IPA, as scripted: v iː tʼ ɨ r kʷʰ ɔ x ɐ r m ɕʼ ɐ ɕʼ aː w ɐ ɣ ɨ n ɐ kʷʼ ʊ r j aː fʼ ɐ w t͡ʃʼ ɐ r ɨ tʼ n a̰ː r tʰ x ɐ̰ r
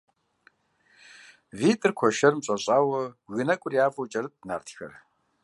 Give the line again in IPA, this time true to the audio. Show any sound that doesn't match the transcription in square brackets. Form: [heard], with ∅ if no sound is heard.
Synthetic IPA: v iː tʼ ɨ r kʷʰ ɔ [ʃ] ɐ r m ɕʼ ɐ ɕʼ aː w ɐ ɣ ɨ n ɐ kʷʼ ʊ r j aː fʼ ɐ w t͡ʃʼ ɐ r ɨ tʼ n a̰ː r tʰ x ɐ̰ r